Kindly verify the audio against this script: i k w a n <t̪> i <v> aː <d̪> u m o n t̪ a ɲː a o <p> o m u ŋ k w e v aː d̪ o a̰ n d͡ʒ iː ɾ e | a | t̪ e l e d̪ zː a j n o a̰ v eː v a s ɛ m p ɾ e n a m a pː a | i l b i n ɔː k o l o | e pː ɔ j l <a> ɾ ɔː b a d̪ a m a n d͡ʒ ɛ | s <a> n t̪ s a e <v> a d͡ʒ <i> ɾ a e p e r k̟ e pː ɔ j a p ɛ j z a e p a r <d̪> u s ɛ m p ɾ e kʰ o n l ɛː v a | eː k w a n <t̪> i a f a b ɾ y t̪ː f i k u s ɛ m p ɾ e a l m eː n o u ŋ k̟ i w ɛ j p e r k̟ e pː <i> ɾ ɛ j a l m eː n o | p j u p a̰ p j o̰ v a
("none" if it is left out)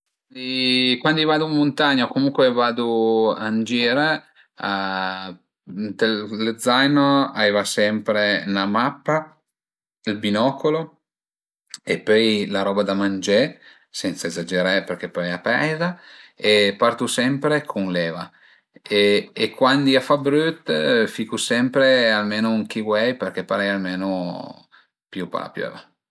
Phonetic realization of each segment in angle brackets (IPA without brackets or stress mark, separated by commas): d̪, v, d̪, k, a, ɛ, z, e, t̪, d̪, a